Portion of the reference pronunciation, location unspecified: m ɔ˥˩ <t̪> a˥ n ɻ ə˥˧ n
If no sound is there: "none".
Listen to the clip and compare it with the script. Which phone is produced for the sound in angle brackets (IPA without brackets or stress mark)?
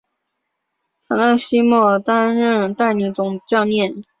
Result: t̪